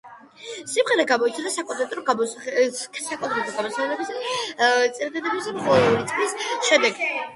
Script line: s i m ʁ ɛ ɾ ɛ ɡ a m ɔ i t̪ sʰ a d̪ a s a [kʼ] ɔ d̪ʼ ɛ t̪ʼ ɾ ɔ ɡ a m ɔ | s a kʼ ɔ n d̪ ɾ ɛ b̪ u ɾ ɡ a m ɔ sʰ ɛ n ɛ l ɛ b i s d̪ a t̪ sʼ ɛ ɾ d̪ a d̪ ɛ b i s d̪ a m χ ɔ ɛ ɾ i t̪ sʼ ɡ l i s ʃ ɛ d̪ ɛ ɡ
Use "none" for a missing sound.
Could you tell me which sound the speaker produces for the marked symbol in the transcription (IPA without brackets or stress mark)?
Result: kʼ